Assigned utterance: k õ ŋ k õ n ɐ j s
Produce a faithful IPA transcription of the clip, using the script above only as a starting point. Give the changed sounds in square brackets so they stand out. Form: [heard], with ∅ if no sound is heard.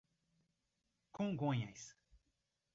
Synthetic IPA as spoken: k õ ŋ [ɡ] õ [ɲ] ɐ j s